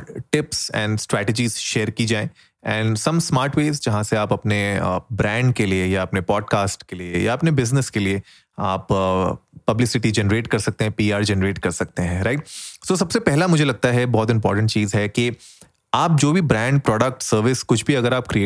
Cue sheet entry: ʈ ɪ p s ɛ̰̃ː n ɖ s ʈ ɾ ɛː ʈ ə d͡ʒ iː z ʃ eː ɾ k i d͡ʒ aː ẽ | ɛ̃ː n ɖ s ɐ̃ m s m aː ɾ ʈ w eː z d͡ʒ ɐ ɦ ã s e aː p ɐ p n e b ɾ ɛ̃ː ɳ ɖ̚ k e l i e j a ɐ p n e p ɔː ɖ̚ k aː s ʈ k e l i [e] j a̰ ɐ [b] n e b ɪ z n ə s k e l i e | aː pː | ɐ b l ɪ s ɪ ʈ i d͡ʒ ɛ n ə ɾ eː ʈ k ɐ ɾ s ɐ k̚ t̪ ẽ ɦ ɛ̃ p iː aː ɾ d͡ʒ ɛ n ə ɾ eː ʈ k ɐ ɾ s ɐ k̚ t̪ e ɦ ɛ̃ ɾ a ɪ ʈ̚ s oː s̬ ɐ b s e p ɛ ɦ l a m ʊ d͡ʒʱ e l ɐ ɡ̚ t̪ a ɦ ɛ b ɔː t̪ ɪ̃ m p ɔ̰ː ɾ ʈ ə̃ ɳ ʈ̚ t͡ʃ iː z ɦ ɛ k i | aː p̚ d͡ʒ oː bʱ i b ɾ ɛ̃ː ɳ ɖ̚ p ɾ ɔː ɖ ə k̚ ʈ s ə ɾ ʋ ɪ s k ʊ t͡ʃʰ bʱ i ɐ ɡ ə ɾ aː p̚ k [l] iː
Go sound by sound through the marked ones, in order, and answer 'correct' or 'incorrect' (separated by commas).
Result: correct, incorrect, incorrect